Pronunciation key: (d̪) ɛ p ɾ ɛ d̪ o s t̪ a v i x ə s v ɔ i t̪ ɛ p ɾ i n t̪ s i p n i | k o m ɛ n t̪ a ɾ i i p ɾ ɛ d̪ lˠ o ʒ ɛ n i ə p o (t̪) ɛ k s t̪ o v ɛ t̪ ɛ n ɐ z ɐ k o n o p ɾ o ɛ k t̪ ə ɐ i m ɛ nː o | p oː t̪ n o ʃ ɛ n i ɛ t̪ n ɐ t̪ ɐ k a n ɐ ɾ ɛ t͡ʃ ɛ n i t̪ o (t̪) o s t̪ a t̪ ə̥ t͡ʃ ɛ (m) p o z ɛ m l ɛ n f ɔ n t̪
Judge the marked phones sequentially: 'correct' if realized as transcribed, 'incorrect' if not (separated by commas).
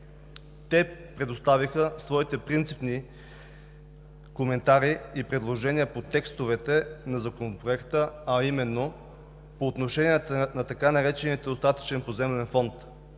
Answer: incorrect, correct, incorrect, incorrect